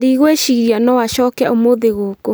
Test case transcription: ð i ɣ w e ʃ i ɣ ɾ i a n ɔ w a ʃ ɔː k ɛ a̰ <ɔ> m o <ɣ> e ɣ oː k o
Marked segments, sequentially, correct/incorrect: incorrect, incorrect

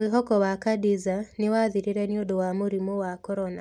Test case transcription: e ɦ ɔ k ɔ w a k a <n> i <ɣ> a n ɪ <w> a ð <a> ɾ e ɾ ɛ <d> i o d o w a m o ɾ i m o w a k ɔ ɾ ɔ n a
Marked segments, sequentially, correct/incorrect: incorrect, incorrect, correct, incorrect, incorrect

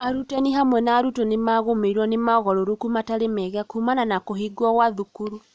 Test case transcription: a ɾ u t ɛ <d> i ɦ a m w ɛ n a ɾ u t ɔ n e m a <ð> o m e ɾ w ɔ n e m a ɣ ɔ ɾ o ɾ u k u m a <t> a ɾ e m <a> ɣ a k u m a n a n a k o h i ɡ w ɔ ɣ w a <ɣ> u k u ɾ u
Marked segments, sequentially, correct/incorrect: incorrect, incorrect, correct, incorrect, incorrect

